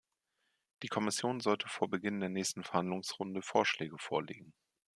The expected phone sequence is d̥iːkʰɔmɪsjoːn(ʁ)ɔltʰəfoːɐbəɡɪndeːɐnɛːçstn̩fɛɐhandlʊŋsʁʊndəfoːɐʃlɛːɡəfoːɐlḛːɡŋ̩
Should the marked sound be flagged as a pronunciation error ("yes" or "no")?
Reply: yes